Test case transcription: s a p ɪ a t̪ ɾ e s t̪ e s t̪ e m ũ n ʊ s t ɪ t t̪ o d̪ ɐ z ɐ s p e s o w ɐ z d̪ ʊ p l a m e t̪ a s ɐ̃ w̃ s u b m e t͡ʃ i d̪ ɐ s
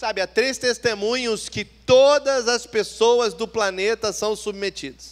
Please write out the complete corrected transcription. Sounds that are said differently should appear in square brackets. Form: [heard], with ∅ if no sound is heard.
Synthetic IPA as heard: s a [b] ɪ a t̪ ɾ e s t̪ e s t̪ e m ũ [ɲ] ʊ s [k] ɪ t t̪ o d̪ ɐ z ɐ s p e s o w ɐ z d̪ ʊ p l a [n] e t̪ [ɐ] s ɐ̃ w̃ s u b m e t͡ʃ i d̪ ɐ s